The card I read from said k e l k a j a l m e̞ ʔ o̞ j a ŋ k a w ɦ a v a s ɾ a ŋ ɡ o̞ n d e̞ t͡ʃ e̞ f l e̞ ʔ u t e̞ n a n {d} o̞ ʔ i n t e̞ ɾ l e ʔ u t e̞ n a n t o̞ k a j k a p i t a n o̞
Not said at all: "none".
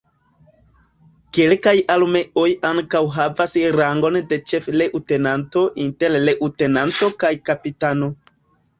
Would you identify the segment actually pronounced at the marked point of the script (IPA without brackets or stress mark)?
t